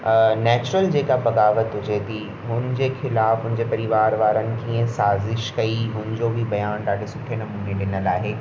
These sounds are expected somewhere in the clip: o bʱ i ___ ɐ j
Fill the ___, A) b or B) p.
A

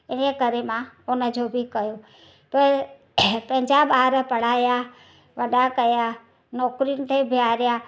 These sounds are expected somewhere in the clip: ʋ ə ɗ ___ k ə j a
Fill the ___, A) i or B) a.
B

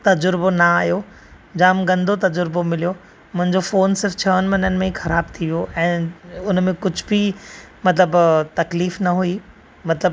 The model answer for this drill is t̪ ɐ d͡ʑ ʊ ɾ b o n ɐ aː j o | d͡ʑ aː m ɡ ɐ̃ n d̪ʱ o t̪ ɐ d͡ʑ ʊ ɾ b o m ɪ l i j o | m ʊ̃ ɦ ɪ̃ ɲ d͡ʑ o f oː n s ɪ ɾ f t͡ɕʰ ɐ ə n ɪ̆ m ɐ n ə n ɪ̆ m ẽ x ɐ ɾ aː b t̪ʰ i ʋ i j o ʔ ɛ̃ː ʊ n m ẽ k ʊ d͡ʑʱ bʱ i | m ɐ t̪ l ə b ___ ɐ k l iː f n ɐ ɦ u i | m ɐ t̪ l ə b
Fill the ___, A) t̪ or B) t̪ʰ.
A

